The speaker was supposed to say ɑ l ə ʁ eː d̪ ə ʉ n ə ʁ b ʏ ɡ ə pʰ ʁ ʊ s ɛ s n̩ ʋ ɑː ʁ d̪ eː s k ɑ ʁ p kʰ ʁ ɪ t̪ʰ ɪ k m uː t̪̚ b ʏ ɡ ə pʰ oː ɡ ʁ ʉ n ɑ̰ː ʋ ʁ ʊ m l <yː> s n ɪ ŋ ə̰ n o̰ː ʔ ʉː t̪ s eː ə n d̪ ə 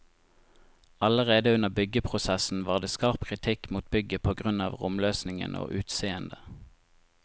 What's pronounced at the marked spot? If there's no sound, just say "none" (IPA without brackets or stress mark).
øː